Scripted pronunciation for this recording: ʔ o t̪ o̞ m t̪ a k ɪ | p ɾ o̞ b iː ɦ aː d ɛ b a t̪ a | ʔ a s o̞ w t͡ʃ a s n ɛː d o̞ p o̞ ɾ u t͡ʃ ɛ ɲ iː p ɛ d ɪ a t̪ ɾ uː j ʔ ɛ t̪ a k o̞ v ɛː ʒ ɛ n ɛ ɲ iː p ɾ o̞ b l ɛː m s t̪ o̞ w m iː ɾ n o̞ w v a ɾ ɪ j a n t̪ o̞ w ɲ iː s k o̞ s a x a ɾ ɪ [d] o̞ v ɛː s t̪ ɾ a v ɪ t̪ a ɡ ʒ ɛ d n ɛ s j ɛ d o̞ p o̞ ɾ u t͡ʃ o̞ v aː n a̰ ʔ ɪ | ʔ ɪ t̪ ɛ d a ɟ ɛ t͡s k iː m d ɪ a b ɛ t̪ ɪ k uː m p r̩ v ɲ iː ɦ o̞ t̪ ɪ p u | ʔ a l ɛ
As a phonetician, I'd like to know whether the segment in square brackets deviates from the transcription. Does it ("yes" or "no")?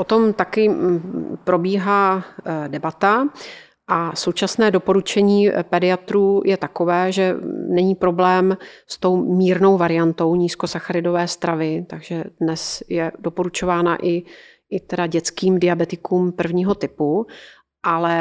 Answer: no